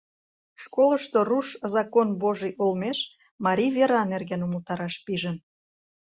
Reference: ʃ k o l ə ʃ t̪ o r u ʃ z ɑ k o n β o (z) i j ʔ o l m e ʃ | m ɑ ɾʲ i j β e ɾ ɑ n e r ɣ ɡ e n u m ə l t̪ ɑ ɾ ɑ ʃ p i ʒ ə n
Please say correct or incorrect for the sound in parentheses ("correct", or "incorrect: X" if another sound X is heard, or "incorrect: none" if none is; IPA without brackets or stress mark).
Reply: incorrect: ʒ